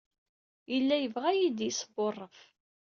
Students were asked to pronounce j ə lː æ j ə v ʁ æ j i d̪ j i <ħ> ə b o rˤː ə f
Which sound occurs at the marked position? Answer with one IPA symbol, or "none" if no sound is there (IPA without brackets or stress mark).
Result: s